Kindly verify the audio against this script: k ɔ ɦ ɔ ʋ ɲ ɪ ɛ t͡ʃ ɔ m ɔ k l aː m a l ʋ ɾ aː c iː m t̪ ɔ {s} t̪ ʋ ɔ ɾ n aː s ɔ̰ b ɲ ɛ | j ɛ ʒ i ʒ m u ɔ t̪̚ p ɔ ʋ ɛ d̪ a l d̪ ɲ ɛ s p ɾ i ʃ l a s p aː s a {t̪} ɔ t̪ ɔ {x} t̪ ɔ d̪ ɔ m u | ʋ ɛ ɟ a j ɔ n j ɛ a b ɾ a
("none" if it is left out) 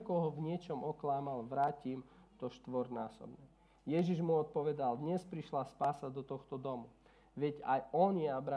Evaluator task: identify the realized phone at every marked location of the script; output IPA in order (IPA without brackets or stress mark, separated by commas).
ʃ, d̪, x